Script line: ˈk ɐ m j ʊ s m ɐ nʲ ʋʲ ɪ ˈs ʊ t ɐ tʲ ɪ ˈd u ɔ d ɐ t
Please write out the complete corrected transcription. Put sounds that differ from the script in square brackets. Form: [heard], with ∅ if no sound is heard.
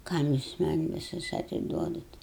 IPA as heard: ˈk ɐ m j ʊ s m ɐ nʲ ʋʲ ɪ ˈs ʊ [s] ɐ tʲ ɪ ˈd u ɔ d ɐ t